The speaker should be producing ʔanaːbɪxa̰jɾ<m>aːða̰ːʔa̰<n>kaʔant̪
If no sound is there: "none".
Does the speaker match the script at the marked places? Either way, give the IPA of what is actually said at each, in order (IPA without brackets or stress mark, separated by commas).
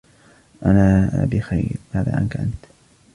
m, n